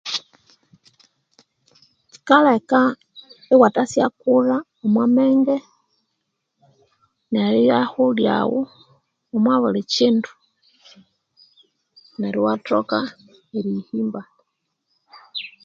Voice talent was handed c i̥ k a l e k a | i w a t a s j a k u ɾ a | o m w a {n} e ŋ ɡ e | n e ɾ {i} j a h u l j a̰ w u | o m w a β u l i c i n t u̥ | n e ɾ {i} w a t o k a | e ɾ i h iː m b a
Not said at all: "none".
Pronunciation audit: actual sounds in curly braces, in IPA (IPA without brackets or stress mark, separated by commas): m, i, i